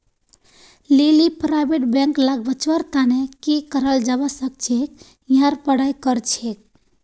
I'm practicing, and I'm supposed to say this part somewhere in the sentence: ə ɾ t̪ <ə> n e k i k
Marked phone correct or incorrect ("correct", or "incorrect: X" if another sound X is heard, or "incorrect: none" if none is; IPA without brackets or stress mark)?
incorrect: a